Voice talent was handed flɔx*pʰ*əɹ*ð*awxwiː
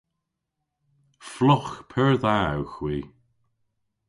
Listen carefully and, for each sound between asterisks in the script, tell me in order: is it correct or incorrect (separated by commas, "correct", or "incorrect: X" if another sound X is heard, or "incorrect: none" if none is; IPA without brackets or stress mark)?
correct, correct